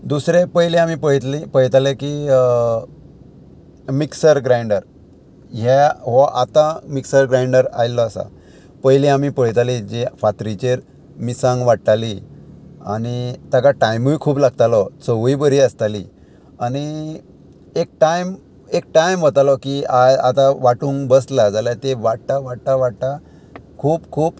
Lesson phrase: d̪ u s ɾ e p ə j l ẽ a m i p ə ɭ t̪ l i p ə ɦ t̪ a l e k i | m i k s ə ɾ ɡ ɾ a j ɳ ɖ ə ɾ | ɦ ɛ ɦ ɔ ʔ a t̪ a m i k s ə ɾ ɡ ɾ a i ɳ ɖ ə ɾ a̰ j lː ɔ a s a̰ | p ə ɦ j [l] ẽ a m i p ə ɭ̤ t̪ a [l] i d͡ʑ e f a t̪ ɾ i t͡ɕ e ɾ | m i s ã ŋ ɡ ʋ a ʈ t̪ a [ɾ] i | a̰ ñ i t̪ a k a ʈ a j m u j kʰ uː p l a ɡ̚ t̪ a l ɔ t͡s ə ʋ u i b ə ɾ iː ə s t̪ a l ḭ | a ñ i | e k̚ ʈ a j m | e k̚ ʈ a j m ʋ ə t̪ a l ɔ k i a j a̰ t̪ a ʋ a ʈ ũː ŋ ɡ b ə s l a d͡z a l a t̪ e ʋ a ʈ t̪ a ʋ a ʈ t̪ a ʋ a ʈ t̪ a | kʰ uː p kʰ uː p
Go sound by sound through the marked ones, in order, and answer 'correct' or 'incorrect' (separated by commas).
correct, correct, incorrect